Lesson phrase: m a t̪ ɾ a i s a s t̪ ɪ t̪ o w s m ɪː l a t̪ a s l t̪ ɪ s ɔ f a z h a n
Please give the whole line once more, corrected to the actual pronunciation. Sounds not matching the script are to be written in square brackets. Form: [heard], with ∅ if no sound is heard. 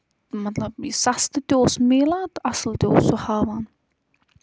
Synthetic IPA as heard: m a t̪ [l] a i s a s t̪ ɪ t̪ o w s m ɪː l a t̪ a s l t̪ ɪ s ɔ [h] a [v] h a n

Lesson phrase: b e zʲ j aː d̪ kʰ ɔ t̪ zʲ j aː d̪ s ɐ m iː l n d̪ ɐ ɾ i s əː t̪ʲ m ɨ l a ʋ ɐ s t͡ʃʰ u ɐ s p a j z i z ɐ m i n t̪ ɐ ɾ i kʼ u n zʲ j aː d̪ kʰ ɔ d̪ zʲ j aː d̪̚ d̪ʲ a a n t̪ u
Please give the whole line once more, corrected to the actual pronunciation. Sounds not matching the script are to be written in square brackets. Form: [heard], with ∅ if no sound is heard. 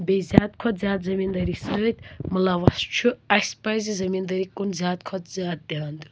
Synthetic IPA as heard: b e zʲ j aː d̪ kʰ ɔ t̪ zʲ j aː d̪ [z] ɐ m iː [∅] n d̪ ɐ ɾ i s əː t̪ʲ m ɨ l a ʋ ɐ s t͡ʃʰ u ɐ s p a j z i z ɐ m i n [d̪] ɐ ɾ i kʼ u n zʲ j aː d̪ kʰ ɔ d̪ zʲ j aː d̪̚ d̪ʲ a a n [d̪] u

